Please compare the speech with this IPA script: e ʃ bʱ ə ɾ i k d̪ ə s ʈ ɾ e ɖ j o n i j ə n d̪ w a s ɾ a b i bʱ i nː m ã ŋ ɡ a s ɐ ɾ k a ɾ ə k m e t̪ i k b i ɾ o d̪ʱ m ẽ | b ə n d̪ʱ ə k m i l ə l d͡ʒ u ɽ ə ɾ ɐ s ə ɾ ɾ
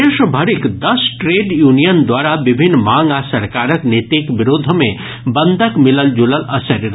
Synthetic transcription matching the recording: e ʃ bʱ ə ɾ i k d̪ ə s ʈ ɾ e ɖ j u n i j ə n d̪ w a ɾ a b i bʱ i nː m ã ŋ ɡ a s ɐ ɾ k a ɾ ə k n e t̪ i k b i ɾ o d̪ʱ m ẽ | b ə n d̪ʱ ə k m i l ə l d͡ʒ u l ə l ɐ s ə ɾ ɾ